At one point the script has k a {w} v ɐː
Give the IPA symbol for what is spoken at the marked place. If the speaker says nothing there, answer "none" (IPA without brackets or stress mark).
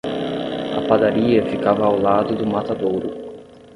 none